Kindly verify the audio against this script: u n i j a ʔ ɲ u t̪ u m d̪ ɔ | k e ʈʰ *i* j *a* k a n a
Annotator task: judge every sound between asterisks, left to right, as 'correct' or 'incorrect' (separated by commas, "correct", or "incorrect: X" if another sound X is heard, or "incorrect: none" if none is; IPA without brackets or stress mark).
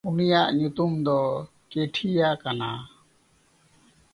correct, correct